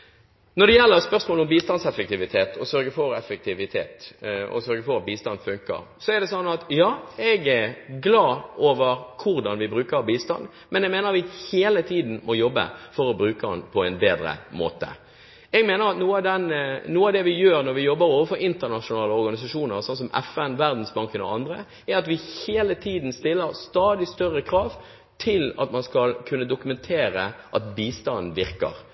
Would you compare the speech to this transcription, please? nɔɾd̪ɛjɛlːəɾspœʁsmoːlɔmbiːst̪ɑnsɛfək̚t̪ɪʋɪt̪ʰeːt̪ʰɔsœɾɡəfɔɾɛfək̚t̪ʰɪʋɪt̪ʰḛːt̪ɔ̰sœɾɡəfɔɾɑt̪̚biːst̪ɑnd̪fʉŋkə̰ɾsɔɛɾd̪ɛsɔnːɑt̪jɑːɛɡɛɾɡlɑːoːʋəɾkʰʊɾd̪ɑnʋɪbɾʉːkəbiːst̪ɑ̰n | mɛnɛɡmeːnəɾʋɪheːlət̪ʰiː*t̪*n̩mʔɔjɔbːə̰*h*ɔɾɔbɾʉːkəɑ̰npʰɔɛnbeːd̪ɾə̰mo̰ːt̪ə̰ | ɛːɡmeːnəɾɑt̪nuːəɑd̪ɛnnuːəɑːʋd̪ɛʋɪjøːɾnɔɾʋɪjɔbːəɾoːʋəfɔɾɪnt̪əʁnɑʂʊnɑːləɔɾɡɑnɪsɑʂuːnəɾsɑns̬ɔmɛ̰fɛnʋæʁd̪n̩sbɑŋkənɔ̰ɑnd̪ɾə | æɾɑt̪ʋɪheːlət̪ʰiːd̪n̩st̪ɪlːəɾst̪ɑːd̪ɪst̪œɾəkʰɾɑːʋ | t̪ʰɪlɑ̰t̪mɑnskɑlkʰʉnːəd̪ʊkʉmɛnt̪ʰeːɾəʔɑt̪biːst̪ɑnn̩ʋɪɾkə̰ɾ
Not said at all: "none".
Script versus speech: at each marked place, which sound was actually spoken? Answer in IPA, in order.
d̪, f

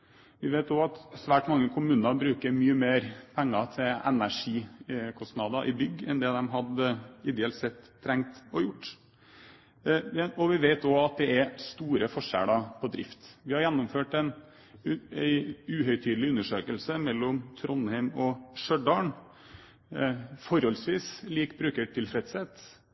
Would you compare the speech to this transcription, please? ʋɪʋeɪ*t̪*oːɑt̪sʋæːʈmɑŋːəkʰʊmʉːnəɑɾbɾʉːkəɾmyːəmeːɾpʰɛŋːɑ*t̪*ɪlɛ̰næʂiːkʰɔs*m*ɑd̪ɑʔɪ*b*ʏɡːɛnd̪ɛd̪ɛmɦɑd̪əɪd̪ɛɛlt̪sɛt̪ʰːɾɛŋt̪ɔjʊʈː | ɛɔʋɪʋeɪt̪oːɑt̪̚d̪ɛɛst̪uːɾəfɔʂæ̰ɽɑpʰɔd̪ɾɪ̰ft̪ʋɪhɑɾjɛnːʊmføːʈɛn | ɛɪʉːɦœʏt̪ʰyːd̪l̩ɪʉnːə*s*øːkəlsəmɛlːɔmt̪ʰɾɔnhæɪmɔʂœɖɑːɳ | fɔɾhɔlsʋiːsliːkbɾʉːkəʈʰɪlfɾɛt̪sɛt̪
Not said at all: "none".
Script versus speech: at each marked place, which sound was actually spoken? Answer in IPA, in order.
t̪, t̪ʰ, n, b, ʂ

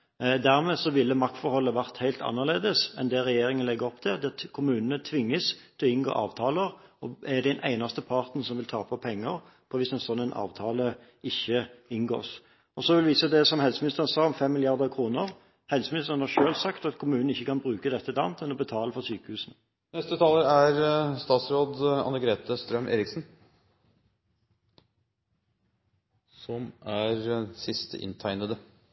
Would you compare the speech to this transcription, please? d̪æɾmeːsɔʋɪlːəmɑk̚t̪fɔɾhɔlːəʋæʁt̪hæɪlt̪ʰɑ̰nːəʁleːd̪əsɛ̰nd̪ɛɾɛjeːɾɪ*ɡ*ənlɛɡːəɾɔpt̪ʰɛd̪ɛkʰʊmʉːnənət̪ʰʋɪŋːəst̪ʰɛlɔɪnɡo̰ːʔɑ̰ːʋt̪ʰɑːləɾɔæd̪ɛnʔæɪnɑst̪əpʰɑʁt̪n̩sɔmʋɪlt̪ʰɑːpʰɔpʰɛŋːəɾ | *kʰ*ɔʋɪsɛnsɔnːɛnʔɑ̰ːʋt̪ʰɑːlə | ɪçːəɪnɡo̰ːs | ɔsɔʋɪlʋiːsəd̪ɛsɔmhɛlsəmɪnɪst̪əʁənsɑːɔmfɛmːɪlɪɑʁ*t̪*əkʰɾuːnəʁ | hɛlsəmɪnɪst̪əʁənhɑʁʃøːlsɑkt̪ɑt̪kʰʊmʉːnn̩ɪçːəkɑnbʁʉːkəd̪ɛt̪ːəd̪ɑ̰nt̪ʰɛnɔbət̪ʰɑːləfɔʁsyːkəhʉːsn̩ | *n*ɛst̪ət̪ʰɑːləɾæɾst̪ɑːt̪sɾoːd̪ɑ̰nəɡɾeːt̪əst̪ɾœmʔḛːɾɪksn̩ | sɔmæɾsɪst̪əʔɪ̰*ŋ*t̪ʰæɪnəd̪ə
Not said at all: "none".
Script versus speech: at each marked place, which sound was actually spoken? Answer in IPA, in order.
ŋ, pʰ, d̪, n, n

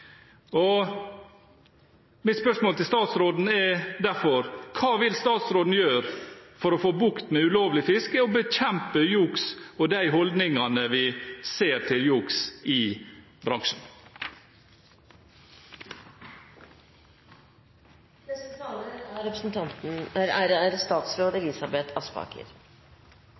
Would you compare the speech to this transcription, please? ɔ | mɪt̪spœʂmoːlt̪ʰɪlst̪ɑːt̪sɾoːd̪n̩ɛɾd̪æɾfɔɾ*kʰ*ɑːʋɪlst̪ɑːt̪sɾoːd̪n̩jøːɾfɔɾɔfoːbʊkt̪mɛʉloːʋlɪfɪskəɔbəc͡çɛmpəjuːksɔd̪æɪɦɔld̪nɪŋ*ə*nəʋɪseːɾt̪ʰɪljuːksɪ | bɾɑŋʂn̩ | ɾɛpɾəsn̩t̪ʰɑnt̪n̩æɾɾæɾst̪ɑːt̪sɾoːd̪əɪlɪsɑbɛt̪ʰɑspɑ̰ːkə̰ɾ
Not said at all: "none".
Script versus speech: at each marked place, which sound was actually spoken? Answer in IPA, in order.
kʰ, ɑ

